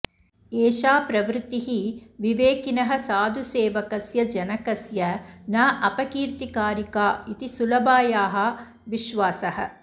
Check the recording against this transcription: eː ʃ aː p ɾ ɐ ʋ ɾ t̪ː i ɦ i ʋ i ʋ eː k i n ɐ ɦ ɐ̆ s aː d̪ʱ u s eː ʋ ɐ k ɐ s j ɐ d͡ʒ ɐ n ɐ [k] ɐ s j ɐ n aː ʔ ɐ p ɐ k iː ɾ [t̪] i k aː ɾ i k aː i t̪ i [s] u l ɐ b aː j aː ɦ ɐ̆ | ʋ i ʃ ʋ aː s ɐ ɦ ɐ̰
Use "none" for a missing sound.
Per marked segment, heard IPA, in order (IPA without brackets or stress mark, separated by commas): k, t̪, s